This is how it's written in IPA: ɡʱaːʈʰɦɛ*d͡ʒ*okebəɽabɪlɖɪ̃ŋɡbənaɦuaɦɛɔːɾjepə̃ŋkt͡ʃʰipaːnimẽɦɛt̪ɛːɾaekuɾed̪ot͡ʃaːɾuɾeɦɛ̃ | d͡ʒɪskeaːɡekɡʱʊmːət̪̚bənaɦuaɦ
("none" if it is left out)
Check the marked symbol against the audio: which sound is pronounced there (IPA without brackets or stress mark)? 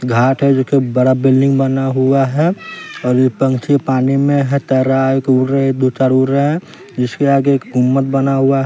d͡ʒ